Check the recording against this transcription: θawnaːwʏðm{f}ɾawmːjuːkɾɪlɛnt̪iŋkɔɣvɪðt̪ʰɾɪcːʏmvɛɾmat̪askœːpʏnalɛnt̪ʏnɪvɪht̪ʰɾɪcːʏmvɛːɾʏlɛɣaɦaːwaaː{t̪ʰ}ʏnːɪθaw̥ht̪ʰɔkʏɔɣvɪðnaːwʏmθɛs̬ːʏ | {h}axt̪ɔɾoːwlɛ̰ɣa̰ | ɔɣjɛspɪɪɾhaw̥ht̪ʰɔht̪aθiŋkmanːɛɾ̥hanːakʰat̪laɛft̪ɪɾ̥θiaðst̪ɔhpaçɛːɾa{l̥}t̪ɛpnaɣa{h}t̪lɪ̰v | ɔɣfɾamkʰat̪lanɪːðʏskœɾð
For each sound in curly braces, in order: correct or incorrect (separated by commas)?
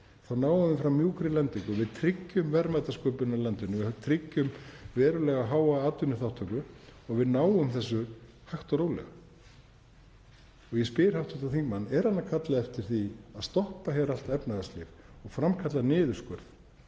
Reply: correct, incorrect, correct, correct, incorrect